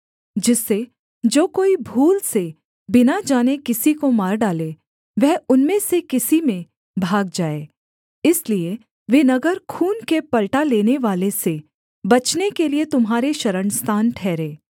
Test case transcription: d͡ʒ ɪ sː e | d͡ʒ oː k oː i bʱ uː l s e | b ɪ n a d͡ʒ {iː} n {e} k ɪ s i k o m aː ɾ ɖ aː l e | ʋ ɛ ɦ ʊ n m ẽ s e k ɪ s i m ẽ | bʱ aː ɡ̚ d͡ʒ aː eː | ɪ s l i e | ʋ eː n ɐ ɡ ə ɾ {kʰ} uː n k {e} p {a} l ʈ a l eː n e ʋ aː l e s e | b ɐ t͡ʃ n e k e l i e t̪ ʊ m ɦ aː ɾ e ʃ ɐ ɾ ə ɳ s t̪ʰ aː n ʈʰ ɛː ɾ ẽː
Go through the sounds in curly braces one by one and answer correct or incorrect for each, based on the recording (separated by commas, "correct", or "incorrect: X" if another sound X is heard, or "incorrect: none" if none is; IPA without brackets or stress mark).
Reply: incorrect: aː, correct, correct, correct, incorrect: ɐ